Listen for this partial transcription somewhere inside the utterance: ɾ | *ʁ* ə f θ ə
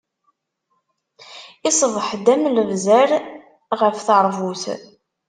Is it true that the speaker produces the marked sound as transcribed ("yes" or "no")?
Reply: yes